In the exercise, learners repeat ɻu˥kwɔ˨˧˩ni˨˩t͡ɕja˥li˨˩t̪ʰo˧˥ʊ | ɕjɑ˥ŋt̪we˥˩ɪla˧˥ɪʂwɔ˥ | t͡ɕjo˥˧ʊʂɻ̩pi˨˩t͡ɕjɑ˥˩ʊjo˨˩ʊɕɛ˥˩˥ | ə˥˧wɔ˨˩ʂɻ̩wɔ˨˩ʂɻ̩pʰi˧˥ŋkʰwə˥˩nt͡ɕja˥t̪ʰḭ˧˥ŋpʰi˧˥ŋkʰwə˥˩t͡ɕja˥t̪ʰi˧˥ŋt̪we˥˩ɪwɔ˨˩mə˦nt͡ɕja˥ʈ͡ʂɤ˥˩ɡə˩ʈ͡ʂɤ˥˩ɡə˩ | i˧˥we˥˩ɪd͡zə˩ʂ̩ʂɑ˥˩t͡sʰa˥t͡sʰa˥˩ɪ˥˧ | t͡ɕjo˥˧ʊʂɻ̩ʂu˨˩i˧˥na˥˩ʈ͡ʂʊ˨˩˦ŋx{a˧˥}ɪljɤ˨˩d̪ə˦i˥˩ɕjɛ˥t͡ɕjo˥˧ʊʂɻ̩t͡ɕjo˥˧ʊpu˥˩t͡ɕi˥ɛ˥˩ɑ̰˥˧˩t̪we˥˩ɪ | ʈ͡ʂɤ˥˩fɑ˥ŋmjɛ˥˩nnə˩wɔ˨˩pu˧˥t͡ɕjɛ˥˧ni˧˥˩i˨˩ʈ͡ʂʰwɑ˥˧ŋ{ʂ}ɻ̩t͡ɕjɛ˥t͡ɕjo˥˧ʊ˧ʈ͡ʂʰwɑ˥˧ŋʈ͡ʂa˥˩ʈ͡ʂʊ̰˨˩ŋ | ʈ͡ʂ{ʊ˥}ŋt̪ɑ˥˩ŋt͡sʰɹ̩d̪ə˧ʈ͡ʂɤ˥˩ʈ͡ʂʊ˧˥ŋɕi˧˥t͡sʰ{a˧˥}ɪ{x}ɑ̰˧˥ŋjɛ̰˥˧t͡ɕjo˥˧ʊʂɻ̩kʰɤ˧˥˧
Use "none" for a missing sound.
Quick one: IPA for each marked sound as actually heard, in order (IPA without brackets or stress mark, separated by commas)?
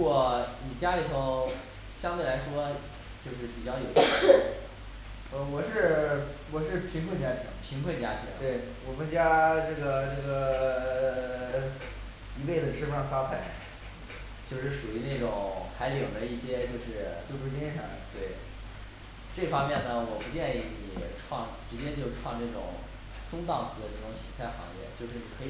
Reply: a˧˥, ʈ͡ʂ, ʊ˥, a˥˩, x